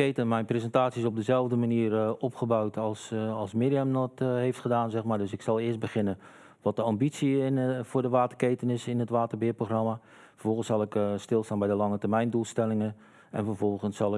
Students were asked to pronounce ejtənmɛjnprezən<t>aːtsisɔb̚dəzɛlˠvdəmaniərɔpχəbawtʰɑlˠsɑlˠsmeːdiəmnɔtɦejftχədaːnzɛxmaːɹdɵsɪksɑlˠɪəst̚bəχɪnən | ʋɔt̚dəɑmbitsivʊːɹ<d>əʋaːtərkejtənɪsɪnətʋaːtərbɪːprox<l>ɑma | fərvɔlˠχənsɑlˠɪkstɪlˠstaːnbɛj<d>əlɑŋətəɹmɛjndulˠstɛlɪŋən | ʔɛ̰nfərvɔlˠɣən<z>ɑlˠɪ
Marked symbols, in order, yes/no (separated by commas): yes, yes, no, yes, no